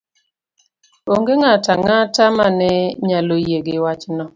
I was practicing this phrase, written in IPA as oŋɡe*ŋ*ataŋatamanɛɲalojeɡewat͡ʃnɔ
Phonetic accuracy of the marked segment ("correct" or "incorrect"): correct